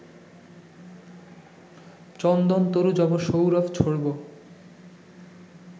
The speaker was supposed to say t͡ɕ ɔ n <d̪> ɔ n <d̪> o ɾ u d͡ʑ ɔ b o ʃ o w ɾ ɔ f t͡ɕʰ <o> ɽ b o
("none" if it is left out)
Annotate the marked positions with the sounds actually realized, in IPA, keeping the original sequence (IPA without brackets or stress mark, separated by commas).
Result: d̪, t̪, o